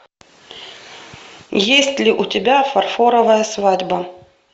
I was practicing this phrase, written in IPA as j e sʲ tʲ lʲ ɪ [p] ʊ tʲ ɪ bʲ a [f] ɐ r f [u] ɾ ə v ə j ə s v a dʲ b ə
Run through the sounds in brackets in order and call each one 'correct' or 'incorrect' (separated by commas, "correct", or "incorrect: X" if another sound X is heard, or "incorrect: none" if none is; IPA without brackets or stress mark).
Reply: incorrect: ʔ, correct, incorrect: o